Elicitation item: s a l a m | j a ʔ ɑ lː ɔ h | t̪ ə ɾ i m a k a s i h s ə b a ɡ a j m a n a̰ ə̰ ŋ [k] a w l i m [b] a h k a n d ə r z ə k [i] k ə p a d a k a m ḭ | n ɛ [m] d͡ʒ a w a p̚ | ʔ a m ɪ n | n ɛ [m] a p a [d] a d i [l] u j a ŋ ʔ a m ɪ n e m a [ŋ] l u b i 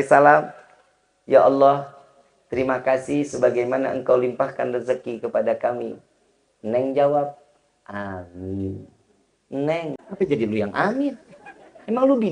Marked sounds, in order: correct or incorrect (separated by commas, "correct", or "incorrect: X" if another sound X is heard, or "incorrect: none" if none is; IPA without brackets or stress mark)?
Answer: correct, incorrect: p, correct, incorrect: ŋ, incorrect: ŋ, incorrect: d͡ʒ, correct, correct